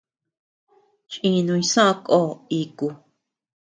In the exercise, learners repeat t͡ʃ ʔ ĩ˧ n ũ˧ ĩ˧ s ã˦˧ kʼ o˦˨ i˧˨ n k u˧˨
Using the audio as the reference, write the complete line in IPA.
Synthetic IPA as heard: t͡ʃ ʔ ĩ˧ n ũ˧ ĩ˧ s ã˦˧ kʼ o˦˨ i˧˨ k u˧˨

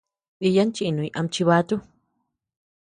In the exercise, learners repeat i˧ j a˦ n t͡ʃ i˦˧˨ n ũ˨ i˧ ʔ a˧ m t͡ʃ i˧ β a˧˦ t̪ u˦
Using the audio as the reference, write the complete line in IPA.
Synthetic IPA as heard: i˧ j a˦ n t͡ʃ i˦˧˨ n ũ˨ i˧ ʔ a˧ m t͡ʃ i˧ β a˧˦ t̪ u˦

